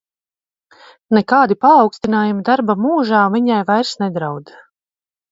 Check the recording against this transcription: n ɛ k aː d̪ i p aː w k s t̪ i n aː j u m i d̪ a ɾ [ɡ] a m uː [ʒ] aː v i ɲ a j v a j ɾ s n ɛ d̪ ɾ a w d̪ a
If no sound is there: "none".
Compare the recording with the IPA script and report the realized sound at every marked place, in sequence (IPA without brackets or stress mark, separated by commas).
b, ʒ